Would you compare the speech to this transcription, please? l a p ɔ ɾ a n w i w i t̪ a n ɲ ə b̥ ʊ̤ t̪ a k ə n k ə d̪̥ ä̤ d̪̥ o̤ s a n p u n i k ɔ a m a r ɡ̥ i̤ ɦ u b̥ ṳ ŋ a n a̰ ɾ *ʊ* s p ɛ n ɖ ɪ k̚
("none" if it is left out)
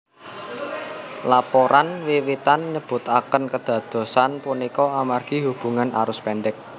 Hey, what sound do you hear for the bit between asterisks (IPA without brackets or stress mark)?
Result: ʊ